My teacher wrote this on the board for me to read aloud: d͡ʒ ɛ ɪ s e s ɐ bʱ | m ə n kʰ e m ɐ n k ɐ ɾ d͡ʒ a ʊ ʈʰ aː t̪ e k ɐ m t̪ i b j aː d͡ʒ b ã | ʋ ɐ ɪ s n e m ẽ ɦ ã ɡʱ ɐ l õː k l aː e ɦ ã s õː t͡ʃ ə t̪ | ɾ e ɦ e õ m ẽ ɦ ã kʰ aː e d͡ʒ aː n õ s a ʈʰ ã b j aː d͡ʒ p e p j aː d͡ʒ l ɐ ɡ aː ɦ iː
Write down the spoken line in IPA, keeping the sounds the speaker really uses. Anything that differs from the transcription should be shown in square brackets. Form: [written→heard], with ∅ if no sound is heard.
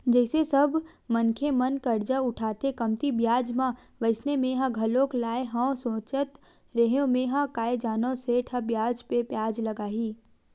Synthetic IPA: d͡ʒ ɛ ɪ s e s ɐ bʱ | m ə n kʰ e m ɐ n k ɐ ɾ d͡ʒ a ʊ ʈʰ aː t̪ e k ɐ m t̪ i b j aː d͡ʒ [b→m] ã | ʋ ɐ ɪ s n e m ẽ ɦ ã ɡʱ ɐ l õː k l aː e ɦ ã s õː t͡ʃ ə t̪ | ɾ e ɦ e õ m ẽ ɦ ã [kʰ→k] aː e d͡ʒ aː n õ s [a→e] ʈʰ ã b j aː d͡ʒ p e p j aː d͡ʒ l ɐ ɡ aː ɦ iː